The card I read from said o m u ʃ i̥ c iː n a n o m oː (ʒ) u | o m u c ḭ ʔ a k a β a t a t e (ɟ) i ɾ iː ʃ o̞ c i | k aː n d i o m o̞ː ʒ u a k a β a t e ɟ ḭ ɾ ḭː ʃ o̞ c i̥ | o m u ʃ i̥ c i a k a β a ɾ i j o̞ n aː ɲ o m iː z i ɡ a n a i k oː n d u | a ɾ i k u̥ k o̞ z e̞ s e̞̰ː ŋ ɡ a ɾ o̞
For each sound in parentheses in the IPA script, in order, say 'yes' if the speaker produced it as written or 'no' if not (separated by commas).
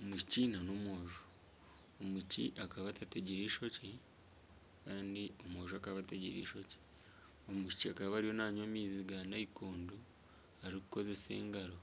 yes, yes